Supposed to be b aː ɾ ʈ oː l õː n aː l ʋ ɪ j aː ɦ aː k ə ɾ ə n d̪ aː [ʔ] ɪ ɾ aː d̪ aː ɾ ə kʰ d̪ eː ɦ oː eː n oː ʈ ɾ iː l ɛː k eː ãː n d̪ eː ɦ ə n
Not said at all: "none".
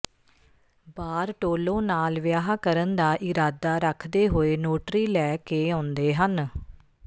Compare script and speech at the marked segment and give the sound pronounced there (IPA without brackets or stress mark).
ʔ